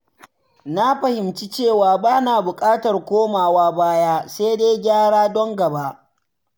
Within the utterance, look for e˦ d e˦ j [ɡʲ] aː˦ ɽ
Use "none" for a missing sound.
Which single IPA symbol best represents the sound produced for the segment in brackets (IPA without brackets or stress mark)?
ɡʲ